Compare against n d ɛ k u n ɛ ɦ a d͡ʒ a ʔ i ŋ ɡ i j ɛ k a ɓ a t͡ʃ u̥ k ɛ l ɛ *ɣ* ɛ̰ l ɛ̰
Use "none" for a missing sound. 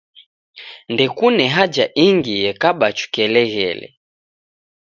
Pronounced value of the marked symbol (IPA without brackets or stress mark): ɣ